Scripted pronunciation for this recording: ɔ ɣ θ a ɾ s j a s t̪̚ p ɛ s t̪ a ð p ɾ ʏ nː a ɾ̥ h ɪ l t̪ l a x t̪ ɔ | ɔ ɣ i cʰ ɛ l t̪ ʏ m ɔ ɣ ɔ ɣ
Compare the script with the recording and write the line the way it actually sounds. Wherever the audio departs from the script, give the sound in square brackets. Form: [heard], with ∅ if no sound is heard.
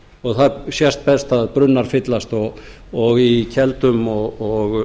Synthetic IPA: ɔ ɣ θ a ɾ s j [ɛ] s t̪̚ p ɛ s t̪ a ð p ɾ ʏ nː a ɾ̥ [f] ɪ [∅] t̪ l a [s] t̪ ɔ | ɔ ɣ i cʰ ɛ l t̪ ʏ m ɔ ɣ ɔ ɣ

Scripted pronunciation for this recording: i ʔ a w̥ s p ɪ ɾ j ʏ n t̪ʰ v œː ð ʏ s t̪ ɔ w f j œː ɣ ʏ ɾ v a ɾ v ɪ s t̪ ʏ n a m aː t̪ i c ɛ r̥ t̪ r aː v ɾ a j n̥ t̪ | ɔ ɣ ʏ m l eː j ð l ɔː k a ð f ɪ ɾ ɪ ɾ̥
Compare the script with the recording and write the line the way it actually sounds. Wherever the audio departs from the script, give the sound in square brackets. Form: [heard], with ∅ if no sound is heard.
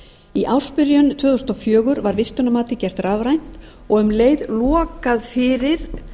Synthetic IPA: i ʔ a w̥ s p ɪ ɾ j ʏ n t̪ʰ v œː ð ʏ s t̪ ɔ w f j œː ɣ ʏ ɾ v a ɾ v ɪ s t̪ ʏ n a m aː t̪ [ɪ] c ɛ r̥ t̪ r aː v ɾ a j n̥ t̪ | ɔ ɣ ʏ m l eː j ð l ɔː k a ð f ɪ ɾ ɪ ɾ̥

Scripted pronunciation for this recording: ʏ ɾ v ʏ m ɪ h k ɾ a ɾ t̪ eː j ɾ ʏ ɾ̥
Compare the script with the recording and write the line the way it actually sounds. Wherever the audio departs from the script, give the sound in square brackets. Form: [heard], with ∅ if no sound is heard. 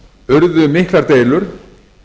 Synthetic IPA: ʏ ɾ [ð] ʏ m ɪ h k [l] a ɾ t̪ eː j [l] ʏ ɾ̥

